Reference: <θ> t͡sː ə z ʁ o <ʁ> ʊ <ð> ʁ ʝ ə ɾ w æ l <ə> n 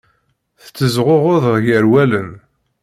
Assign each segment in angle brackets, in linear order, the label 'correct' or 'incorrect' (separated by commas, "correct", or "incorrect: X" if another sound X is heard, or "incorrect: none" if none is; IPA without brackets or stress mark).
correct, correct, correct, correct